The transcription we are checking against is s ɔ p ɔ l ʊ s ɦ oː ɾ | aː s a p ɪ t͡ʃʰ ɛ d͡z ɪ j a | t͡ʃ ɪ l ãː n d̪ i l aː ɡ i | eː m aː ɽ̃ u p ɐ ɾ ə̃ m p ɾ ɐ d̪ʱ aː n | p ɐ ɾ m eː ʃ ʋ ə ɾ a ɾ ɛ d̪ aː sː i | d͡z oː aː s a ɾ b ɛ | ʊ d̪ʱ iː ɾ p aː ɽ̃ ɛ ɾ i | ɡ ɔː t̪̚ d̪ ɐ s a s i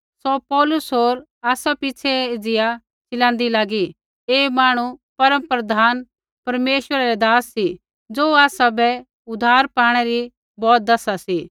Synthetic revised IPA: s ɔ p ɔː l ʊ s ɦ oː ɾ | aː s a p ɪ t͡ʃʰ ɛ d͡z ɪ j a | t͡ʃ ɪ l ãː n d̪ i l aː ɡ i | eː m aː ɽ̃ u p ɐ ɾ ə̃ m p ɾ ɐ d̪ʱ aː n | p ɐ ɾ m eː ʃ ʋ ə ɾ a ɾ ɛ d̪ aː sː i | d͡z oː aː s a b ɛ | ʊ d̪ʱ aː ɾ p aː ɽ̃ ɛ ɾ i | b ɔː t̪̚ d̪ ɐ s a s i